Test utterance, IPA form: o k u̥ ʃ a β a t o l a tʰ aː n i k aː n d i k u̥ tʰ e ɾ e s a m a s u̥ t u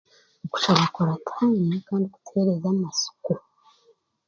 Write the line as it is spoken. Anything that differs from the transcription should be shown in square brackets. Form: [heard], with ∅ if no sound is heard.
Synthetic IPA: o k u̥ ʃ a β a [k] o [ɾ] a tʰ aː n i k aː n d i k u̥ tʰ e ɾ e [z] a m a s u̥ [k] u